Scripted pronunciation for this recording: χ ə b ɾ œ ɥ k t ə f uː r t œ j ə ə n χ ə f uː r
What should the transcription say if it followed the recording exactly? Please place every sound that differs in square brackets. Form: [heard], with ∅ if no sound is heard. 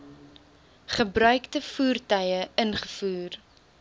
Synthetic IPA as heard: χ ə b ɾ œ ɥ k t ə f uː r t œ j ə ə n χ ə f uː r